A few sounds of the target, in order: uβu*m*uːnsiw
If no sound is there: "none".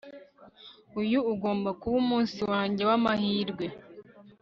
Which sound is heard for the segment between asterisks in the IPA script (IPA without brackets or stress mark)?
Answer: m